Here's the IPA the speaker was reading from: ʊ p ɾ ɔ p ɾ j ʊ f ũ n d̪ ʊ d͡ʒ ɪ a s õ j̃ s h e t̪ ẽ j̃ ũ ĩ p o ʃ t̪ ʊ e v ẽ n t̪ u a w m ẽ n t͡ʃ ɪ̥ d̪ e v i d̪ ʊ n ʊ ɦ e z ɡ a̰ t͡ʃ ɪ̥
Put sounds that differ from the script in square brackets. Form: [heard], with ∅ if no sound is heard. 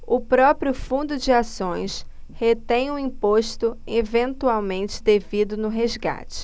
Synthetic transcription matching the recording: ʊ p ɾ ɔ p ɾ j ʊ f ũ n d̪ ʊ d͡ʒ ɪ a s õ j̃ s h e t̪ ẽ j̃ ũ ĩ p o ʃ t̪ ʊ e v ẽ n t̪ u a w m ẽ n t͡ʃ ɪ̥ d̪ e v i d̪ ʊ n ʊ ɦ e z ɡ a̰ t͡ʃ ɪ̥